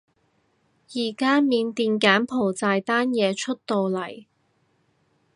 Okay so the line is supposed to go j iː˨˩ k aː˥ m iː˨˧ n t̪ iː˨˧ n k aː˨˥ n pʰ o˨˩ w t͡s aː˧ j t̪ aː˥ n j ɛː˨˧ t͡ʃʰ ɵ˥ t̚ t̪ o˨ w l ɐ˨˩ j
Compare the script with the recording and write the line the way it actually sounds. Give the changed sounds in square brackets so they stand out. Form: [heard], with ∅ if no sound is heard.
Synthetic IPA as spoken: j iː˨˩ k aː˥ m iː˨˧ n t̪ iː˨˧ n k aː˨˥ n pʰ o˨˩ w t͡s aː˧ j t̪ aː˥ n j ɛː˨˧ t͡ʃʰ ɵ˥ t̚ t̪ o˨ w l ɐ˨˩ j